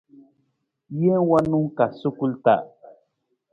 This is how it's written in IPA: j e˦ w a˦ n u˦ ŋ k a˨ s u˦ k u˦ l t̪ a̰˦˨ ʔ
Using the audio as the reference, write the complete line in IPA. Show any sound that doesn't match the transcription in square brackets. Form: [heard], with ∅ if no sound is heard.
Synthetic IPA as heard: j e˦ w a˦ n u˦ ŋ k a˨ s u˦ k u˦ l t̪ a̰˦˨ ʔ